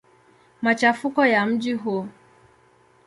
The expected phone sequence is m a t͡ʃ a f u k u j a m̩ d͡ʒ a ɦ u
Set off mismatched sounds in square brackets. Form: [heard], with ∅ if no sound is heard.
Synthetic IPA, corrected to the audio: m a t͡ʃ a f u k [ɔ] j a m̩ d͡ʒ [i] ɦ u